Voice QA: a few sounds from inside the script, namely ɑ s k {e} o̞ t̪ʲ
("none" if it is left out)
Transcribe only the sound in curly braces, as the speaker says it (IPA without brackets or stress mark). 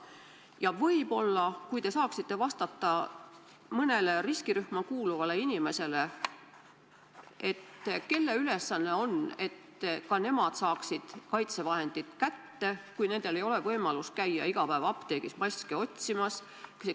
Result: e